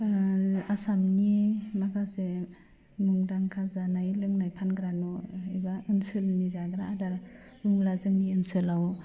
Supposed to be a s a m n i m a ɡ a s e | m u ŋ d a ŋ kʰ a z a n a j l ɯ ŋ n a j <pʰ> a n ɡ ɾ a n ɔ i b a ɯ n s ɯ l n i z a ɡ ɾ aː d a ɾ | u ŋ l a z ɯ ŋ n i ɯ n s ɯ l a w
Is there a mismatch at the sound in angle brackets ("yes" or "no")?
no